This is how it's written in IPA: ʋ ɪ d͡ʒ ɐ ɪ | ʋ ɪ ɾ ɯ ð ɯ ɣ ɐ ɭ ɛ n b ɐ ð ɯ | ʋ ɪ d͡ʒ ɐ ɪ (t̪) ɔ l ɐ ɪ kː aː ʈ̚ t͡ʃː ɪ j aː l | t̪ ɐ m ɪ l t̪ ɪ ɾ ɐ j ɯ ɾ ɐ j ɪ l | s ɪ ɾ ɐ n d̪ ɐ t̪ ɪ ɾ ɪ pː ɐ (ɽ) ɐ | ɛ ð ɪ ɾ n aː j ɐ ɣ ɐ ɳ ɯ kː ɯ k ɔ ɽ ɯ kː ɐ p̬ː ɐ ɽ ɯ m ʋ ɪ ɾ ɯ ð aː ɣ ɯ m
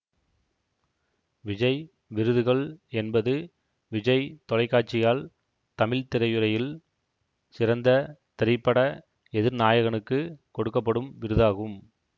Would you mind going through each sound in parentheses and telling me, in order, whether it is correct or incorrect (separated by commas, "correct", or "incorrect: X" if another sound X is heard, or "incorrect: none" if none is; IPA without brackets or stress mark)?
correct, correct